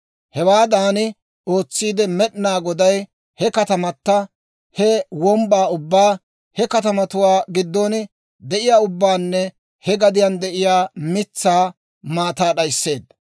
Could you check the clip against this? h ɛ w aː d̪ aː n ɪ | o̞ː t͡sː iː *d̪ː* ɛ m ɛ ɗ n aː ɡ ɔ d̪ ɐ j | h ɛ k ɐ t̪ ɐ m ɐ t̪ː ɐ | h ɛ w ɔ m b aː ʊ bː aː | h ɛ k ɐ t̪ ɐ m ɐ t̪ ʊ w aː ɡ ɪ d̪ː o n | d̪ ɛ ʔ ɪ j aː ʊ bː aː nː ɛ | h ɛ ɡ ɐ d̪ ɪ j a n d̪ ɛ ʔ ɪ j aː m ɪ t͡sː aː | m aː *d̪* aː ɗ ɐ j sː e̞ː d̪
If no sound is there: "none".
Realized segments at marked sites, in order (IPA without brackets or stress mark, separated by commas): d̪, t̪